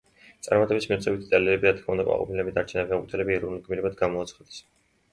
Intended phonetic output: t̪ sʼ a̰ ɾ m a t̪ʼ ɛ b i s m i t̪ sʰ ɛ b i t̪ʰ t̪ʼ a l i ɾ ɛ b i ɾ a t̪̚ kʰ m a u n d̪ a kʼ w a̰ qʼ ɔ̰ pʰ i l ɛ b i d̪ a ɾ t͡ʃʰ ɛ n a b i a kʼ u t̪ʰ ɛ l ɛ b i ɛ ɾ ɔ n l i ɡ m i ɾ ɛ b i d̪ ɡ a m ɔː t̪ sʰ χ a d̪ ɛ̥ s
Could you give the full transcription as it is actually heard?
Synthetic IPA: t̪ sʼ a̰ ɾ m a t̪ʼ ɛ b i s m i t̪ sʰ ɛ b i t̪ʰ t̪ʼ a l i ɾ ɛ b i ɾ a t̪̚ kʰ m a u n d̪ a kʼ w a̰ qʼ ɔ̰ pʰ i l ɛ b i d̪ a ɾ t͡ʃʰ ɛ n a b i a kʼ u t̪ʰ ɛ l ɛ b i ɛ ɾ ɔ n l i ɡ m i ɾ ɛ b a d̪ ɡ a m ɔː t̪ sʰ χ a d̪ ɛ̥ s